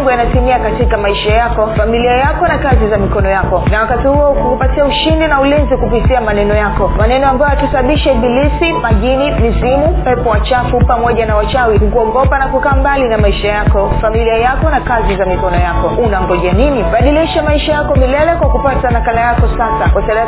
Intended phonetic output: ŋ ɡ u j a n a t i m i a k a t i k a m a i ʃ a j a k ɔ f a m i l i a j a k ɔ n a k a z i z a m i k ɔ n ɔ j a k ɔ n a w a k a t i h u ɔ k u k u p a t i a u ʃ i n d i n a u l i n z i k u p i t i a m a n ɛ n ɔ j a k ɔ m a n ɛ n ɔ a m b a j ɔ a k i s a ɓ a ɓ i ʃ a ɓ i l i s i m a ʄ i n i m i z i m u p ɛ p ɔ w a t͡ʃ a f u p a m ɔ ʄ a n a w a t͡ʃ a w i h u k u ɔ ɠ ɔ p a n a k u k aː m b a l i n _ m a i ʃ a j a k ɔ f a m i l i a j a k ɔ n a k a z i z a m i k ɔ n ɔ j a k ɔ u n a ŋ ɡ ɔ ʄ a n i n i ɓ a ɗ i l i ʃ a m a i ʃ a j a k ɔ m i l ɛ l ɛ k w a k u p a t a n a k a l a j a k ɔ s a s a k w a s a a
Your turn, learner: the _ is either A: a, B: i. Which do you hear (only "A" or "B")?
A